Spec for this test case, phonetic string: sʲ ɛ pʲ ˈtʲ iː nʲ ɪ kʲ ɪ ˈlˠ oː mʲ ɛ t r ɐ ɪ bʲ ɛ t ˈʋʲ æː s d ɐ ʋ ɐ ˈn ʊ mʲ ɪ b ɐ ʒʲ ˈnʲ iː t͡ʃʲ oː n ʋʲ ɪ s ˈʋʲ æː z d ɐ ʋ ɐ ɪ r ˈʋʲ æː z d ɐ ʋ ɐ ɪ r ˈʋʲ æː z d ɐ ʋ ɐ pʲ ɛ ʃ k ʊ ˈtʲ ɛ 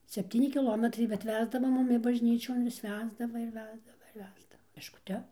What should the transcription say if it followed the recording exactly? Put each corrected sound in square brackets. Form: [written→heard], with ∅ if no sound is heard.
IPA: sʲ ɛ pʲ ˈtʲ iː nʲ ɪ kʲ ɪ ˈlˠ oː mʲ ɛ t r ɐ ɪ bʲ ɛ t ˈʋʲ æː [s→z] d ɐ ʋ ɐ [ˈn→ˈm] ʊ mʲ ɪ b ɐ ʒʲ ˈnʲ iː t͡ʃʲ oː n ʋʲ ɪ s ˈʋʲ æː z d ɐ ʋ ɐ ɪ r ˈʋʲ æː z d ɐ ʋ ɐ ɪ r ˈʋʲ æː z d ɐ ʋ ɐ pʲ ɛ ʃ k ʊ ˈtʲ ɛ